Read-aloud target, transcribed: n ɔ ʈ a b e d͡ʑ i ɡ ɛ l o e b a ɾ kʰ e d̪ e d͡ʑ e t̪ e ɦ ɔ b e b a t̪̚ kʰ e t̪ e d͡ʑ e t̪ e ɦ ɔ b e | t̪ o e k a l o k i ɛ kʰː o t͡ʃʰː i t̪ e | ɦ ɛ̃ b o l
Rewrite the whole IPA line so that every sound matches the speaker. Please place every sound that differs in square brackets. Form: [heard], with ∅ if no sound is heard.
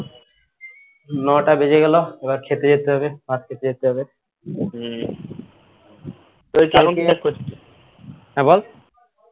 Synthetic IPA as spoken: n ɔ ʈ a b e d͡ʑ [e] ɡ ɛ l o e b a ɾ kʰ e [t̪] e d͡ʑ e t̪ e ɦ ɔ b e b a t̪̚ kʰ e t̪ e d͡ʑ e t̪ e ɦ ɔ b e | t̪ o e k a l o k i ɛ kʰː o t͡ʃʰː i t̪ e | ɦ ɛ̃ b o l